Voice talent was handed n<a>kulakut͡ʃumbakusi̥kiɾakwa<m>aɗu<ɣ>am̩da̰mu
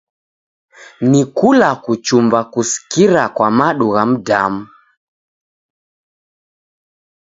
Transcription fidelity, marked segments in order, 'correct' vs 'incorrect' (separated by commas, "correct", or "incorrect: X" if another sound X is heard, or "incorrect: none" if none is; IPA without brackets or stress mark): incorrect: i, correct, correct